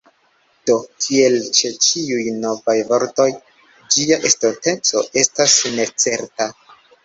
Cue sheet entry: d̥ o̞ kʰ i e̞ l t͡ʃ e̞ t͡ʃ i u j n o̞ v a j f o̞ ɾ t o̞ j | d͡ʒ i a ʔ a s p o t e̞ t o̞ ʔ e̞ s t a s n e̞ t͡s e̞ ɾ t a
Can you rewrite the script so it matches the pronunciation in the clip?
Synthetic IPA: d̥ o̞ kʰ i e̞ l t͡ʃ e̞ t͡ʃ i u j n o̞ v a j v o̞ ɾ t o̞ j | d͡ʒ i a ʔ e s t o t e̞ t͡s o̞ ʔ e̞ s t a s n e̞ t͡s e̞ ɾ t a